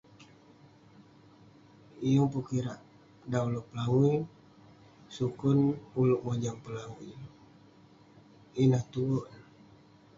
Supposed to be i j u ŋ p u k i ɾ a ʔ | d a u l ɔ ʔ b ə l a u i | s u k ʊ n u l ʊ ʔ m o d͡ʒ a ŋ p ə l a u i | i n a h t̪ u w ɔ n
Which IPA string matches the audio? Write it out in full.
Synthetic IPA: i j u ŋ p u k i ɾ a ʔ | d a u l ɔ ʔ p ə l a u i | s u k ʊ n u l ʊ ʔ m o d͡ʒ a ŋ p ə l a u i | i n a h t̪ u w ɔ n